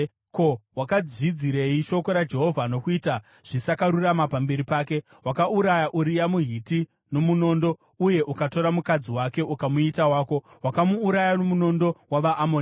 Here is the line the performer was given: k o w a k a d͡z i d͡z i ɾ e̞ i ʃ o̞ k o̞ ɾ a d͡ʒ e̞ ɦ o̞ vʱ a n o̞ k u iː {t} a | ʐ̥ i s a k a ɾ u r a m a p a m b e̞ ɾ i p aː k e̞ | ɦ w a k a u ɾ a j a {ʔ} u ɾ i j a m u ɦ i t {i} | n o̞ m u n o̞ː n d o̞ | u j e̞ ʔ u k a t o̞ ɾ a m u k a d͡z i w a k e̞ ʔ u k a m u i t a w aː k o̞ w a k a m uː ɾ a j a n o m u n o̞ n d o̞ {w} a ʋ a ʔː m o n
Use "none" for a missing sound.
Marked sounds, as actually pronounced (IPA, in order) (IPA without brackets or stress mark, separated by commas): t, ʔ, i, w